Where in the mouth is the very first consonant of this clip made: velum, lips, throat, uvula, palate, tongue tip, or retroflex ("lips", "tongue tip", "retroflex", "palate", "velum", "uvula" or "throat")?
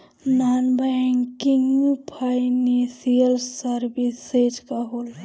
tongue tip